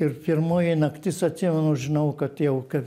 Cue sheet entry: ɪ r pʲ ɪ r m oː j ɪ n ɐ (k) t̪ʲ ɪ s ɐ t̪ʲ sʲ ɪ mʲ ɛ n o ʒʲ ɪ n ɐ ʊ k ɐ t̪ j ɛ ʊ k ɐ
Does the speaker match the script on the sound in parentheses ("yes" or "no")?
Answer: yes